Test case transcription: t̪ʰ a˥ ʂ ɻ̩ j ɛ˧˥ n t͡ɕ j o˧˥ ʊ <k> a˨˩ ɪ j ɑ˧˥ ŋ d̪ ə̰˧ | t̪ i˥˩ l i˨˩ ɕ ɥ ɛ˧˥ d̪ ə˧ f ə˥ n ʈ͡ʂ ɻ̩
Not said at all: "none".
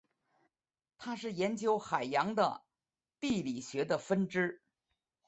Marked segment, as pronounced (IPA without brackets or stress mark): x